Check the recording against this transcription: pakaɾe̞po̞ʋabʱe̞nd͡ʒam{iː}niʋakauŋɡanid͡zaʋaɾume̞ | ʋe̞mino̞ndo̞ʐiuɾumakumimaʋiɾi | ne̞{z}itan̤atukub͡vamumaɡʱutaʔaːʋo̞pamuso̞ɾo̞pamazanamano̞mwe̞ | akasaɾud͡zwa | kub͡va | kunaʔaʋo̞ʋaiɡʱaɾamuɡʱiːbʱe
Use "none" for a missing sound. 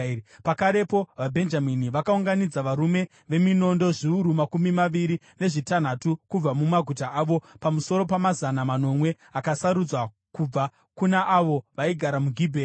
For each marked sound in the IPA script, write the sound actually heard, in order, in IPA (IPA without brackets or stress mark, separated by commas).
i, ʐ